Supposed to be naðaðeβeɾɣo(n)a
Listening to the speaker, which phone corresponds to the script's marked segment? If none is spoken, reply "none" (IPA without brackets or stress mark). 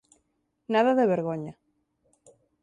ɲ